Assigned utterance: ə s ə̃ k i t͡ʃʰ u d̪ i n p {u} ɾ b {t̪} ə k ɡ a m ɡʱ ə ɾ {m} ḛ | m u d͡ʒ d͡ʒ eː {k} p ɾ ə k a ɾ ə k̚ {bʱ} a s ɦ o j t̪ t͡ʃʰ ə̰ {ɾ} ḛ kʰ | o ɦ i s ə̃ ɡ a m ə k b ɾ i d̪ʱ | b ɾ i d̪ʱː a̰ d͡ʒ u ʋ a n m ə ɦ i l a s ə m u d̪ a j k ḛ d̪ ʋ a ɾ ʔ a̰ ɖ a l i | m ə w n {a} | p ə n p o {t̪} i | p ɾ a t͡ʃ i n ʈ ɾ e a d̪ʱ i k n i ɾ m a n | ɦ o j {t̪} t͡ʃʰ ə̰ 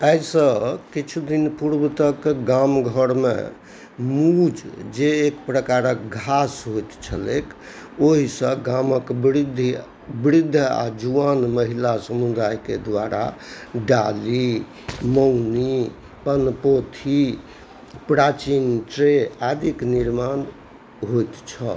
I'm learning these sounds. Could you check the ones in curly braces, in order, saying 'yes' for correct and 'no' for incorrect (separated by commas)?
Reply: yes, yes, yes, yes, no, no, no, no, yes